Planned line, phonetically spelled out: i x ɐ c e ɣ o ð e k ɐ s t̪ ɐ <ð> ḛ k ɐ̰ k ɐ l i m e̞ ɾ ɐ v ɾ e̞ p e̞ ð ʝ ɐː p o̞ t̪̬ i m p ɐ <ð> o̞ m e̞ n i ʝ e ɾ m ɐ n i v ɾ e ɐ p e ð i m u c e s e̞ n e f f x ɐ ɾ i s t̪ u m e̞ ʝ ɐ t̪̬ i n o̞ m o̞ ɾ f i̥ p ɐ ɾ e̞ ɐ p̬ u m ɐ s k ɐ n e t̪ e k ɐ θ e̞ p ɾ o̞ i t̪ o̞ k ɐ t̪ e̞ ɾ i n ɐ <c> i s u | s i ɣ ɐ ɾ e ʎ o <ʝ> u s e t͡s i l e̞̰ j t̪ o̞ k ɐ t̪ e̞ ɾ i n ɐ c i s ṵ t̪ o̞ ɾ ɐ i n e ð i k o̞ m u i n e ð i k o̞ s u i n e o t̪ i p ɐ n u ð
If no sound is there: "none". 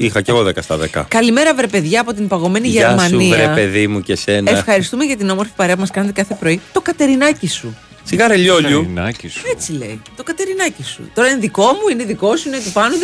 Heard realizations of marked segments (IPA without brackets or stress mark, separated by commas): ð, ɣ, c, ʎ